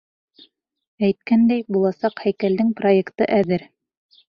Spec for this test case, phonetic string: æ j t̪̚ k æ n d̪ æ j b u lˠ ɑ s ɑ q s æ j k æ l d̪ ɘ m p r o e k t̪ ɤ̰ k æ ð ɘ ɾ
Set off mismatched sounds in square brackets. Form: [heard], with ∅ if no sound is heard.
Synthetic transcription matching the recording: æ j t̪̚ k æ n d̪ æ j b u lˠ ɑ s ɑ q [h] æ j k æ l d̪ ɘ [ŋ] p r o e k t̪ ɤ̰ [ʔ] æ ð ɘ ɾ